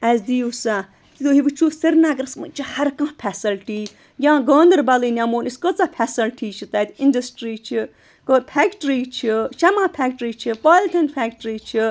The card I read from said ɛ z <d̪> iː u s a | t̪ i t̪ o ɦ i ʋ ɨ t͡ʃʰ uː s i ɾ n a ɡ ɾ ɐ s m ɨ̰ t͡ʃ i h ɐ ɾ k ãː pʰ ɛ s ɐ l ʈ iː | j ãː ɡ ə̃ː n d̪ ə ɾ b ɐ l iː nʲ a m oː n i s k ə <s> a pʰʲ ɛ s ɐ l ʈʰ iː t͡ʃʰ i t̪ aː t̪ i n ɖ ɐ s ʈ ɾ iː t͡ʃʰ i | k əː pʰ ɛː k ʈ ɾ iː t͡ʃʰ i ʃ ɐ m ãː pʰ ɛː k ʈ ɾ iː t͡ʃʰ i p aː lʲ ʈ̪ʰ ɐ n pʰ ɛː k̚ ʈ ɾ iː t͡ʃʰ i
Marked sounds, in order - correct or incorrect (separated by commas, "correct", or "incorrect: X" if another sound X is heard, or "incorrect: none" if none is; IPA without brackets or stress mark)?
correct, incorrect: t͡s